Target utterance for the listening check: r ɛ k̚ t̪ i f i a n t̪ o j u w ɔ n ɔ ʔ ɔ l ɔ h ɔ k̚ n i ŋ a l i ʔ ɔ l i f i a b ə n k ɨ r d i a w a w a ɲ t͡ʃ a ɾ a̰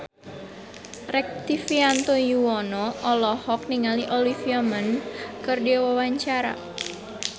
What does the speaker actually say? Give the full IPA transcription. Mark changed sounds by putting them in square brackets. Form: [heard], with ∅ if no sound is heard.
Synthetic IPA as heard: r ɛ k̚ t̪ i f i a n t̪ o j u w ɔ n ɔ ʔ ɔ l ɔ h ɔ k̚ n i ŋ a l i ʔ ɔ l i f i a [m] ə n k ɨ r d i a w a w a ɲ t͡ʃ a ɾ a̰

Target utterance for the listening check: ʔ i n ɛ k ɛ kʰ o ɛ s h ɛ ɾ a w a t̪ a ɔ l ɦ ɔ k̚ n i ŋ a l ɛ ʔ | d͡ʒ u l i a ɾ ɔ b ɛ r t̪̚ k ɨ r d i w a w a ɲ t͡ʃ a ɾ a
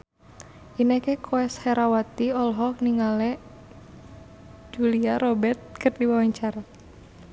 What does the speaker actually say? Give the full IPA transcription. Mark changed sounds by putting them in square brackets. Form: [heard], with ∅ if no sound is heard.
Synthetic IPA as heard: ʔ i n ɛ k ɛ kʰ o ɛ s h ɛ ɾ a w a t̪ [i] ɔ l ɦ ɔ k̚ n i ŋ a l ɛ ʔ | d͡ʒ u l i a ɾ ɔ b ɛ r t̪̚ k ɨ r d i w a w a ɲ t͡ʃ a ɾ a

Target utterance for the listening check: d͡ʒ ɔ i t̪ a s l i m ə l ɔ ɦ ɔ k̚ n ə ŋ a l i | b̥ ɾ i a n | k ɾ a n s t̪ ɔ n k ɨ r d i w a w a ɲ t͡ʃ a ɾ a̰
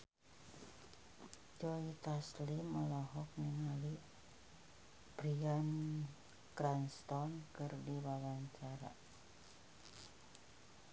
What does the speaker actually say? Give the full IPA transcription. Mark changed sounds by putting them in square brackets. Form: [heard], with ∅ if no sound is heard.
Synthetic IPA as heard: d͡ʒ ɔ i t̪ a s l i m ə l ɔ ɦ ɔ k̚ n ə ŋ a l i | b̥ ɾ i a n | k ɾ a n s t̪ ɔ n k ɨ r d i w a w a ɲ t͡ʃ a ɾ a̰

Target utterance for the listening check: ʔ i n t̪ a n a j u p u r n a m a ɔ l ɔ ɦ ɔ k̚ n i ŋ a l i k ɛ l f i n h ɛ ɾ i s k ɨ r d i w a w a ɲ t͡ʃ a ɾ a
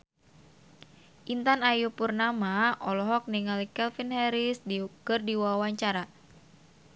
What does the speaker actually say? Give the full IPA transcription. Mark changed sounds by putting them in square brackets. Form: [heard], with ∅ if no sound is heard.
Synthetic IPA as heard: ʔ i n t̪ a n a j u p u r n a m a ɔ l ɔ ɦ ɔ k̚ n i ŋ a l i k ɛ l f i n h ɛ ɾ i s k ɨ r d i w a w a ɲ t͡ʃ a ɾ a

